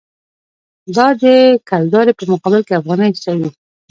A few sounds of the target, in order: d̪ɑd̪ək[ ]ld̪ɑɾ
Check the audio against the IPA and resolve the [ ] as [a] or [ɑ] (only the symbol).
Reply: a